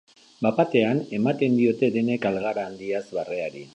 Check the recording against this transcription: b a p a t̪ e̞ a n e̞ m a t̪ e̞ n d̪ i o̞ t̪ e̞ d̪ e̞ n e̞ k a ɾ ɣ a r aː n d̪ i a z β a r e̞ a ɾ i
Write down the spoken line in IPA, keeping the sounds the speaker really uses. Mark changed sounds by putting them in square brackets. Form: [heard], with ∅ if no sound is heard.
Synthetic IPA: b a p a t̪ e̞ a n e̞ m a t̪ e̞ n d̪ i o̞ t̪ e̞ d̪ e̞ n e̞ k a [l] ɣ a [ɾ] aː n d̪ i a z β a r e̞ a ɾ i